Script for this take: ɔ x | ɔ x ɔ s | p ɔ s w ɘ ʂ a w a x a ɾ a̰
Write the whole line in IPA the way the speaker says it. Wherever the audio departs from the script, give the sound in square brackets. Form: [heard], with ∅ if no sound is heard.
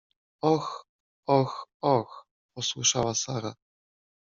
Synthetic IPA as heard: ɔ x | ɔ x ɔ [x] | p ɔ s w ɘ ʂ a w a [s] a ɾ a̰